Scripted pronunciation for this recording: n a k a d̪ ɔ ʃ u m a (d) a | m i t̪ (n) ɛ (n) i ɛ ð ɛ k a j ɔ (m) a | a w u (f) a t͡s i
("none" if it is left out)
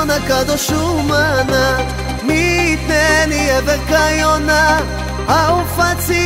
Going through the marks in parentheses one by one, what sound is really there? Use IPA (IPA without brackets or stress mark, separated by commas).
n, n, n, n, f